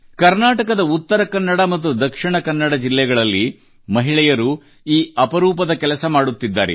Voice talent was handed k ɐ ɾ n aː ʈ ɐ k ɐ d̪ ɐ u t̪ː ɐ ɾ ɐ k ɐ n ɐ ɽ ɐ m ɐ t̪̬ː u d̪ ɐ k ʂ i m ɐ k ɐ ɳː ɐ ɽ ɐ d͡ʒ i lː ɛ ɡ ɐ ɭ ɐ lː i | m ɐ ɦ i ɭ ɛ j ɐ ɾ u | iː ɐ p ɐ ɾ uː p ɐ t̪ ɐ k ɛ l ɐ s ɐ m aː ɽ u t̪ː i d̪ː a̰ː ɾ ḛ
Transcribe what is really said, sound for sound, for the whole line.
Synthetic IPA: k ɐ ɾ n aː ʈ ɐ k ɐ d̪ ɐ u t̪ː ɐ ɾ ɐ k ɐ nː ɐ ɽ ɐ m ɐ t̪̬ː u d̪ ɐ k ʂ i ɳ ɐ k ɐ nː ɐ ɽ ɐ d͡ʒ i lː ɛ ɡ ɐ ɭ ɐ lː i | m ɐ ɦ i ɭ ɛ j ɐ ɾ u | iː ɐ p ɐ ɾ uː p ɐ d̪ ɐ k ɛ l ɐ s ɐ m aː ɽ u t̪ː i d̪ː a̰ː ɾ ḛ